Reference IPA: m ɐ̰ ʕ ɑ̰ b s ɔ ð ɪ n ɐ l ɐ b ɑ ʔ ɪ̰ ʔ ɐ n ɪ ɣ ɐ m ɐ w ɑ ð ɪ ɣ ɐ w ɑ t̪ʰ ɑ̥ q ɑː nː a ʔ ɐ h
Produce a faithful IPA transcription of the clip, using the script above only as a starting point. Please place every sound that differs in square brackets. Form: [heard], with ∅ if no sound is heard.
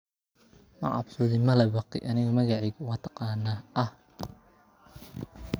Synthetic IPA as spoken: m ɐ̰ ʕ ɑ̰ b s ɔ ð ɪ [m] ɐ l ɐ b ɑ [q] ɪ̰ ʔ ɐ n ɪ ɣ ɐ m ɐ [ɣ] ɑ [ʕ] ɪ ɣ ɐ w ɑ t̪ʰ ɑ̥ q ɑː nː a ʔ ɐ h

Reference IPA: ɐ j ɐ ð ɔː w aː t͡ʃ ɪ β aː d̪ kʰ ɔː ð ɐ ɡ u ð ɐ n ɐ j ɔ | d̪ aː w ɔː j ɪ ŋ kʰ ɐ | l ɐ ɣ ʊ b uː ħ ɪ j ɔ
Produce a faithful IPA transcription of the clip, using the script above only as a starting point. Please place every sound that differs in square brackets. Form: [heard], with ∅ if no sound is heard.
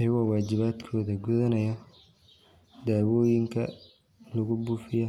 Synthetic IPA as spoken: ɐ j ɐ [ɣ] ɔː w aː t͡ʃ ɪ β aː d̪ kʰ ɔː ð ɐ ɡ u ð ɐ n ɐ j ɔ | d̪ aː w ɔː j ɪ ŋ kʰ ɐ | l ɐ ɣ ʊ b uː [f] ɪ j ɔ

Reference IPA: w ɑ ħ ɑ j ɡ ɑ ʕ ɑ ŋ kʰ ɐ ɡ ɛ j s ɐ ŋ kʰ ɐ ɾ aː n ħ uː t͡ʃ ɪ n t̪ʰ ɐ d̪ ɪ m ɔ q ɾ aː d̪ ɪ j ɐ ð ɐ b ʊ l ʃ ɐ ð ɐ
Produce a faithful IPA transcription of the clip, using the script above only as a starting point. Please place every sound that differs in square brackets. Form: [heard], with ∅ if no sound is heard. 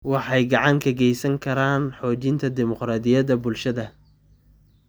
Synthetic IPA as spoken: w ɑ ħ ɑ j ɡ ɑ ʕ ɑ ŋ kʰ ɐ ɡ ɛ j s ɐ ŋ kʰ ɐ ɾ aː n ħ [ɔː] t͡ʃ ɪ n t̪ʰ ɐ d̪ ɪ m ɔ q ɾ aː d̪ ɪ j ɐ ð ɐ b ʊ l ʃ ɐ ð ɐ

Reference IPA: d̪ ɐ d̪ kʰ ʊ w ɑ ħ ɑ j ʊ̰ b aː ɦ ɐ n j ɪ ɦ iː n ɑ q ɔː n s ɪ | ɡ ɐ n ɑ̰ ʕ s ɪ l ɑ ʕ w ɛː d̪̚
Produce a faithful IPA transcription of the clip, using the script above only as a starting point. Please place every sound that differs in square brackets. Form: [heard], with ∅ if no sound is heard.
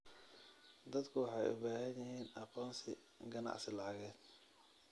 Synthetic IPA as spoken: d̪ ɐ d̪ kʰ ʊ w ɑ ħ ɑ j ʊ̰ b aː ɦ ɐ n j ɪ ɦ iː n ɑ q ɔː n s ɪ | ɡ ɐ n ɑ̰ ʕ s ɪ l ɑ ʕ [ɣ] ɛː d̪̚

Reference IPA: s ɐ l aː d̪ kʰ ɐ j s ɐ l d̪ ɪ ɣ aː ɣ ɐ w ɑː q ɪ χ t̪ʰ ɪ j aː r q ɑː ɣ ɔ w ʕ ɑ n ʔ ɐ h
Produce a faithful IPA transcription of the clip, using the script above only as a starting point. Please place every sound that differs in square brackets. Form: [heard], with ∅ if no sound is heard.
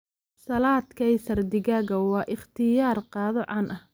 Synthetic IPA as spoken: s ɐ l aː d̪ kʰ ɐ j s ɐ [r] d̪ ɪ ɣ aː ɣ ɐ w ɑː [ʔ] ɪ χ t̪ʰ ɪ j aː r q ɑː [ð] ɔ [∅] ʕ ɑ n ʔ ɐ h

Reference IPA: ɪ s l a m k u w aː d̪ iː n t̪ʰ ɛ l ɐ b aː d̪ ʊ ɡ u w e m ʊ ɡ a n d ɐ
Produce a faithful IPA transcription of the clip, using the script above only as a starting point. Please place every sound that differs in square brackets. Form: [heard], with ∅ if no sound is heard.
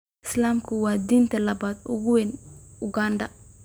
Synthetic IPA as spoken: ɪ s l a m k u w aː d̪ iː n [t̪] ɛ l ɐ b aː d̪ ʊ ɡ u w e [n] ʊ ɡ a n d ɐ

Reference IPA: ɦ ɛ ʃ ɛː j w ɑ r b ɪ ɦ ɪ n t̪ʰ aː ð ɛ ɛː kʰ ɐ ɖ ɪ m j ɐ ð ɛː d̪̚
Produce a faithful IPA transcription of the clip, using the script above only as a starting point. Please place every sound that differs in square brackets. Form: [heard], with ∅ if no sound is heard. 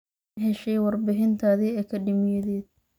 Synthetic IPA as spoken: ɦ ɛ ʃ [ɛ] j w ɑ r b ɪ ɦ ɪ n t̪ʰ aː ð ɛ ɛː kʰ ɐ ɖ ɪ m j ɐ ð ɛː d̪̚

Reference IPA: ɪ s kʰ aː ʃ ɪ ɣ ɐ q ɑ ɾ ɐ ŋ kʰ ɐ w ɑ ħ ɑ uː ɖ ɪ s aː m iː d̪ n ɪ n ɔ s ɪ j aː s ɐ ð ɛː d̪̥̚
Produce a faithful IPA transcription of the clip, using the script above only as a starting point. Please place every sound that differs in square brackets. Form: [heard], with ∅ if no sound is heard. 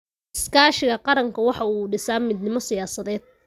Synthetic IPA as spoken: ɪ s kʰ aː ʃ ɪ ɣ ɐ q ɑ ɾ ɐ ŋ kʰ ɐ w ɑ ħ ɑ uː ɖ ɪ s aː m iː d̪ n ɪ [m] ɔ s ɪ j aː s ɐ ð ɛː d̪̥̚

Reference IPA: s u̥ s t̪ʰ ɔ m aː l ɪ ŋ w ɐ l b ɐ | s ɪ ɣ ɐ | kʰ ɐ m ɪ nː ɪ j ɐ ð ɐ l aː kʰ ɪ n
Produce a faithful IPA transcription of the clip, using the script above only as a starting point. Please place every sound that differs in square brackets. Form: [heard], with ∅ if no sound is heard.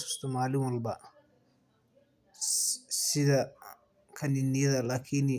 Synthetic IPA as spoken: s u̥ s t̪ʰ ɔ m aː l ɪ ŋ w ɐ l b ɐ | s ɪ [ð] ɐ | kʰ ɐ [n] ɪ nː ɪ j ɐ ð ɐ l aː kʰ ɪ n

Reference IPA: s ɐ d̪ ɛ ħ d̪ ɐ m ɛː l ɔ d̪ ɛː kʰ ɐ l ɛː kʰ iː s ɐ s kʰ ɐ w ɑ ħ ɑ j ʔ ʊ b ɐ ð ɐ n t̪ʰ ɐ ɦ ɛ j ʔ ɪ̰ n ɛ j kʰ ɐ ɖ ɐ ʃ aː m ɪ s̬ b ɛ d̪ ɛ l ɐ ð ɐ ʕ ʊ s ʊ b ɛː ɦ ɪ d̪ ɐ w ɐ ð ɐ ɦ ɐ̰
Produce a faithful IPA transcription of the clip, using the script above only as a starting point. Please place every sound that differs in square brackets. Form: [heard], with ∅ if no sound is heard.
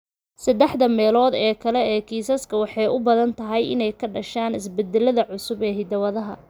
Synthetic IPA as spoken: s ɐ d̪ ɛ ħ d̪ ɐ m ɛː l [ɔː] d̪ ɛː kʰ ɐ l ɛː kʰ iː s ɐ s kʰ ɐ w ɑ ħ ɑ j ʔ ʊ b ɐ ð ɐ n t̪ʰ ɐ ɦ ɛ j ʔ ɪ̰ n ɛ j kʰ ɐ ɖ ɐ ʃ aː [n] ɪ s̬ b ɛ d̪ ɛ l ɐ ð ɐ ʕ ʊ s ʊ b ɛː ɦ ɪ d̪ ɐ w ɐ ð ɐ ɦ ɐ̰

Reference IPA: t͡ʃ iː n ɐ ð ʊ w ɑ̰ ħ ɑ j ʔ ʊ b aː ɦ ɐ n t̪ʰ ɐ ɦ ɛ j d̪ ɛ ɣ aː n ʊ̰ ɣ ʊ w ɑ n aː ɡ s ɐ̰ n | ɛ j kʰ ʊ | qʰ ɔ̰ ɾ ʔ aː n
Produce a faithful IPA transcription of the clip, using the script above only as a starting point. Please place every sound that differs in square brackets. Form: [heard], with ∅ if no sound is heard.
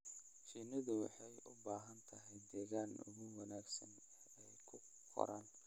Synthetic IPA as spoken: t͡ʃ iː n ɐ ð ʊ w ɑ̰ ħ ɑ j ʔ ʊ b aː ɦ ɐ n t̪ʰ ɐ ɦ ɛ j d̪ [ɛː] ɣ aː n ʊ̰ ɣ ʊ w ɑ n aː ɡ s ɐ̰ n | ɛ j kʰ ʊ | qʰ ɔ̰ ɾ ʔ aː n

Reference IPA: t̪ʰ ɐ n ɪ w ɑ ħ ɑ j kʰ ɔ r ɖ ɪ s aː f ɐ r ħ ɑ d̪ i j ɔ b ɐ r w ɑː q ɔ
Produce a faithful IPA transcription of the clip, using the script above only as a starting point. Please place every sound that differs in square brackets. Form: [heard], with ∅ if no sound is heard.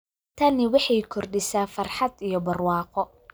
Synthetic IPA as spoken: t̪ʰ ɐ n ɪ w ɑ ħ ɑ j kʰ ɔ r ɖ ɪ s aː f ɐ r ħ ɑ d̪ i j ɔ b ɐ r w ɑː q ɔ

